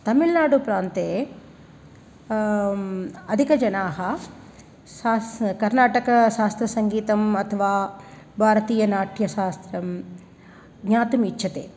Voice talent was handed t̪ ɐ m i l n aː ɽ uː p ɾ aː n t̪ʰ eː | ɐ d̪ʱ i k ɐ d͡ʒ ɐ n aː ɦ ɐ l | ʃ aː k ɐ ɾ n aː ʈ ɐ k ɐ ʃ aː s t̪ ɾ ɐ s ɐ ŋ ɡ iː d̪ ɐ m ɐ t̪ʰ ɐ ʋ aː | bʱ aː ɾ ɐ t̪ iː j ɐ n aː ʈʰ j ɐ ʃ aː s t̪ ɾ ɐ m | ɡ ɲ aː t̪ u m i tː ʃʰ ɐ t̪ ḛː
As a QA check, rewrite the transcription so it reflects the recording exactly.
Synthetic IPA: t̪ ɐ m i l n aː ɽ u p ɾ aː n t̪ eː | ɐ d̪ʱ i k ɐ d͡ʒ ɐ n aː ɦ ɐ | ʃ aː k ɐ ɾ n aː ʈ ɐ k ɐ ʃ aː s t̪ ɾ ɐ s ɐ ŋ ɡ iː t̪ ɐ m ɐ t̪ʰ ɐ ʋ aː | bʱ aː ɾ ɐ t̪ iː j ɐ n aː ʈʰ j ɐ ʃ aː s t̪ ɾ ɐ m | ɡ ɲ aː t̪ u m i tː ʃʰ ɐ t̪ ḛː